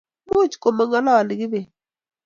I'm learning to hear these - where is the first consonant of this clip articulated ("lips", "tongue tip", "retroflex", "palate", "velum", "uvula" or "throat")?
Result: lips